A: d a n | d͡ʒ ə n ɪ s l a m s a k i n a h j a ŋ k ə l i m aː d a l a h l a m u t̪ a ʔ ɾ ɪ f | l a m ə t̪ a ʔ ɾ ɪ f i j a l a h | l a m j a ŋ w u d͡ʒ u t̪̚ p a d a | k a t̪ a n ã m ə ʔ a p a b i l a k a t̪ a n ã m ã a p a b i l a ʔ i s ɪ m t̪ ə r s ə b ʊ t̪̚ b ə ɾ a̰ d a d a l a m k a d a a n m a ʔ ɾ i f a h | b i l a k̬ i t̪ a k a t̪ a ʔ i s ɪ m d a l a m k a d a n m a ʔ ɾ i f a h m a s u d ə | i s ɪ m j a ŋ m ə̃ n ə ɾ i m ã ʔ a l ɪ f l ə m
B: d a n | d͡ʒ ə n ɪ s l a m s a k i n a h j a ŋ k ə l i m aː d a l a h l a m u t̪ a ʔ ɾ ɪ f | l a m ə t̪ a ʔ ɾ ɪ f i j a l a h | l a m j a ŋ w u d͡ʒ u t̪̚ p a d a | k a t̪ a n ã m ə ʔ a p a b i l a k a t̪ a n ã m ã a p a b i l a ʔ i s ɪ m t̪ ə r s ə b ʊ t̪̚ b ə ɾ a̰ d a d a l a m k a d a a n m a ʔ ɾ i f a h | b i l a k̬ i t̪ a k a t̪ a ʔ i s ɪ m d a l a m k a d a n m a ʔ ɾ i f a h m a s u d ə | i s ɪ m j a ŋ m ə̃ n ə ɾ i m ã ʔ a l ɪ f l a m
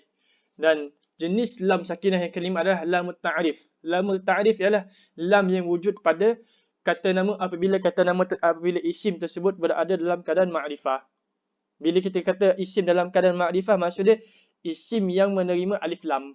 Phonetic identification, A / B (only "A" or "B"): B